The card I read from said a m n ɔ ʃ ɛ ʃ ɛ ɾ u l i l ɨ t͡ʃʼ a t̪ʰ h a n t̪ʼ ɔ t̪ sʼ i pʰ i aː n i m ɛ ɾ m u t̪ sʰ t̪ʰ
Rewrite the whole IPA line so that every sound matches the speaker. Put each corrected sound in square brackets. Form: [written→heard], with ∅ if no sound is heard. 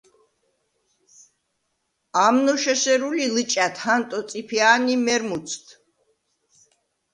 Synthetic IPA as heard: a m n ɔ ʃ ɛ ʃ ɛ ɾ u l i l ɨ t͡ʃʼ a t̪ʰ h a n t̪ʼ ɔ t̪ sʼ i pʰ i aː n i m ɛ ɾ m u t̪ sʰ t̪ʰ